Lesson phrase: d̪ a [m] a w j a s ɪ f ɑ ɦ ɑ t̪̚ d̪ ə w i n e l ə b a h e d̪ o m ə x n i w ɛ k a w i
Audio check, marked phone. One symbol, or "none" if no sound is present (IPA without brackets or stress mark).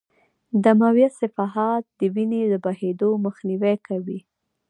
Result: m